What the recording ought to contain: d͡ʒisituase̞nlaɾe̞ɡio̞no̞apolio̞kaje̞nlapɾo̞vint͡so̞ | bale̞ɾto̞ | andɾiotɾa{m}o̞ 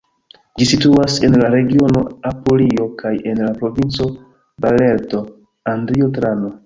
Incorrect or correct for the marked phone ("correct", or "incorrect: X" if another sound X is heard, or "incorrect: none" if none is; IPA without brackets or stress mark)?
incorrect: n